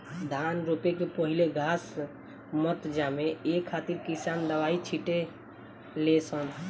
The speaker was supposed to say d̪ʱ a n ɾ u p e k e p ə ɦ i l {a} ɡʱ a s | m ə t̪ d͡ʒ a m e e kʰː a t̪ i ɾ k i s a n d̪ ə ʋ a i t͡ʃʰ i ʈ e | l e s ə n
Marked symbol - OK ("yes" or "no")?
no